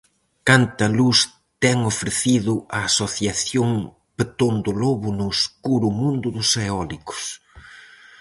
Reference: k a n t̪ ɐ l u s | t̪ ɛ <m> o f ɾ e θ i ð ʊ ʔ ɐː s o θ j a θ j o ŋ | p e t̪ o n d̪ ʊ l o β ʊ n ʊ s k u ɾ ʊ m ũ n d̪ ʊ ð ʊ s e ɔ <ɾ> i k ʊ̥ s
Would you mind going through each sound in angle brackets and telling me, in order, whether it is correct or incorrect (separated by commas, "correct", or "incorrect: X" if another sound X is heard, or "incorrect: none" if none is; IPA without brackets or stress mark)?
incorrect: ŋ, incorrect: l